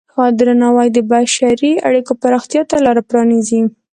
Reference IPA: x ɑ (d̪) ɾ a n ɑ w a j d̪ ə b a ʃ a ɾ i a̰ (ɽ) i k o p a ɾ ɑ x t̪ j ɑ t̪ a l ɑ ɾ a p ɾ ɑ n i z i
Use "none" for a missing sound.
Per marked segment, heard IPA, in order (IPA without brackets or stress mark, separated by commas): d̪, ɽ